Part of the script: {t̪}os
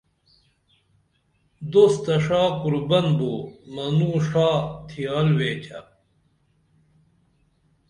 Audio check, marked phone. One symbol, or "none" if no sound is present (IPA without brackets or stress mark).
d̪